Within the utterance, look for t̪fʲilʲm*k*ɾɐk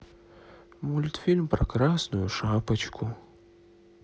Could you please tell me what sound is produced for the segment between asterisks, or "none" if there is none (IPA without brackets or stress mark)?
p